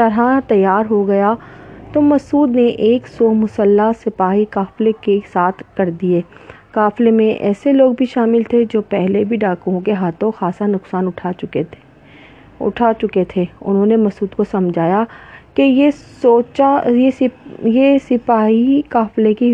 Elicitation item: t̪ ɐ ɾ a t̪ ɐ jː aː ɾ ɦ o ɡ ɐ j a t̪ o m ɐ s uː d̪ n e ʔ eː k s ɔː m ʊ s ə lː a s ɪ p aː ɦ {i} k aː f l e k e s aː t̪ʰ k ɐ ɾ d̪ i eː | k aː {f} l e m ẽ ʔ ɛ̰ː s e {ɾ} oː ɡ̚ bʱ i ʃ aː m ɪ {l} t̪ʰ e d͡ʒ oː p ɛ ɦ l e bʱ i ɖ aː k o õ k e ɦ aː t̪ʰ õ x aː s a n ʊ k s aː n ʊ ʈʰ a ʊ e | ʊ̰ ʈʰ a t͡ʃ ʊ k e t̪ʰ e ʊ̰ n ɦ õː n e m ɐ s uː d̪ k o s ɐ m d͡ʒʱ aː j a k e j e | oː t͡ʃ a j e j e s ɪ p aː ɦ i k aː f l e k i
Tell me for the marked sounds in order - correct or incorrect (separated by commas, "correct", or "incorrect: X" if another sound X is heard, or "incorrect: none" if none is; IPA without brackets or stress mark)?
correct, correct, incorrect: l, correct